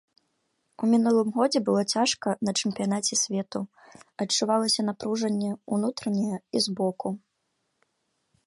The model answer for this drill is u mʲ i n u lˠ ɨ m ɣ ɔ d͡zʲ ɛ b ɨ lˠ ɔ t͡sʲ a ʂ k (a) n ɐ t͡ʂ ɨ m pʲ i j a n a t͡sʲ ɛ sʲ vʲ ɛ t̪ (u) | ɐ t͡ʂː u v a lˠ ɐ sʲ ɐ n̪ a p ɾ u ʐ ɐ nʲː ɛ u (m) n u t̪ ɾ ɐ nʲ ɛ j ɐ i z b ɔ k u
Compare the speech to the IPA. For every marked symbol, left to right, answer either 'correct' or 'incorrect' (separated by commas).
incorrect, correct, incorrect